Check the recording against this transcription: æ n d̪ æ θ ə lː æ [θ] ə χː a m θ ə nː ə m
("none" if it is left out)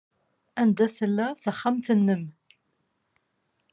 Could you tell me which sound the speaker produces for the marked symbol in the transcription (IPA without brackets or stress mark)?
θ